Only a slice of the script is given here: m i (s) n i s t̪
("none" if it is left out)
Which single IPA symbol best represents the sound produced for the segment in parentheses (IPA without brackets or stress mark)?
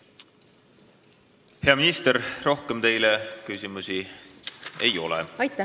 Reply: none